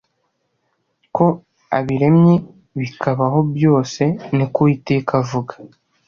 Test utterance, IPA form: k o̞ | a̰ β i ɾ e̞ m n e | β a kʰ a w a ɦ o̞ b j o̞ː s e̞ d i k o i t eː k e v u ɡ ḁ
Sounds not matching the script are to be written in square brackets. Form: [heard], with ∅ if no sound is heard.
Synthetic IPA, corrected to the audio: k o̞ | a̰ β i ɾ e̞ m [ɲ] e | β [i] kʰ a [β] a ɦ o̞ b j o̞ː s e̞ [n] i k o i t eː k [a] v u ɡ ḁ